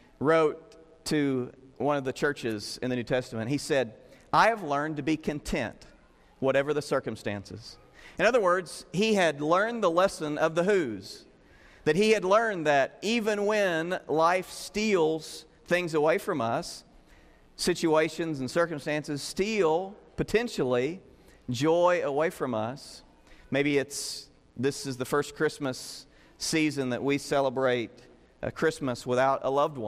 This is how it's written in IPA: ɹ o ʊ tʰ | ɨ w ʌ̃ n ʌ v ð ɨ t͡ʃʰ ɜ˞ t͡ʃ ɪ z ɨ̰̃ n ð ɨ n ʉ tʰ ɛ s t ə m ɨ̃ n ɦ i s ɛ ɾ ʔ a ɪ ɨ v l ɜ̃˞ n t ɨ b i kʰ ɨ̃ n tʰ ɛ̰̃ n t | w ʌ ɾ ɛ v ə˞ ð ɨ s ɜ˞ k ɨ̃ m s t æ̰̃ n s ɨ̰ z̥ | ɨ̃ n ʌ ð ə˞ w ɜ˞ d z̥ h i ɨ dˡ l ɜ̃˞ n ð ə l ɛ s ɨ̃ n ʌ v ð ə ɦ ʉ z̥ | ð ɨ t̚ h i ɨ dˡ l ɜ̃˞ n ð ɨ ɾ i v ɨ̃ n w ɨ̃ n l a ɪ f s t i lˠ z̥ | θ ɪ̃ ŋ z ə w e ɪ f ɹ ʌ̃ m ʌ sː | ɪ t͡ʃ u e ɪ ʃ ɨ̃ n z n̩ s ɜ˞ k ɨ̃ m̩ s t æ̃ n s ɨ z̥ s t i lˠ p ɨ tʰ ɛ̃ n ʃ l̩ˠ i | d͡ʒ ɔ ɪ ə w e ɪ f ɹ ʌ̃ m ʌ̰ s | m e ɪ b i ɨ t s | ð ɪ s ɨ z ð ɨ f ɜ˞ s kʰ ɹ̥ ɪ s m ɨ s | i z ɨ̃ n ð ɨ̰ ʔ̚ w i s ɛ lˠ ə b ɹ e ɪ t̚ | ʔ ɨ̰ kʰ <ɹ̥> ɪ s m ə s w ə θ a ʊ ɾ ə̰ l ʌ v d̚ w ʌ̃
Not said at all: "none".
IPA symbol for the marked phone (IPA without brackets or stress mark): ɹ̥